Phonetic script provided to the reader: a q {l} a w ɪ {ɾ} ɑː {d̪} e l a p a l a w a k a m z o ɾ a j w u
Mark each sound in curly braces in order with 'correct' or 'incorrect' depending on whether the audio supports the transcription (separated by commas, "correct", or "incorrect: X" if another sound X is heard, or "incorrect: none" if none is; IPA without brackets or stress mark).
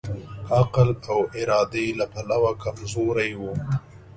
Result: correct, correct, correct